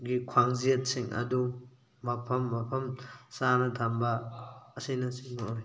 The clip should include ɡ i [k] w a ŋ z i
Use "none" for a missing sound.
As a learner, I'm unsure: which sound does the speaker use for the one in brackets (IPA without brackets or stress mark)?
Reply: kʰ